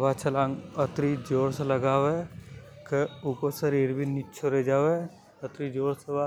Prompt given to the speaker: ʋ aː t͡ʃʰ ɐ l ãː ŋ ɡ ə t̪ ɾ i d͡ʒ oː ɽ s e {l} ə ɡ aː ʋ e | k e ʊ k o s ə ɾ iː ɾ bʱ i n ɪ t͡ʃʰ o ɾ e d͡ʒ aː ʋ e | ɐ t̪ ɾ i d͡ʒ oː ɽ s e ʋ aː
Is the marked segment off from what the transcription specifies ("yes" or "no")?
no